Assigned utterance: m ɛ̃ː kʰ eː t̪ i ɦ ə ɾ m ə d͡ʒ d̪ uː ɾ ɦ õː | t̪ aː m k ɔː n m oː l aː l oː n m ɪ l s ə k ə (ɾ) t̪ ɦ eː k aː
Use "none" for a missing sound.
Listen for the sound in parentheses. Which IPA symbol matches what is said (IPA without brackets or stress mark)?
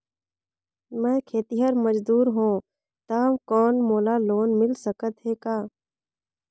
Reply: none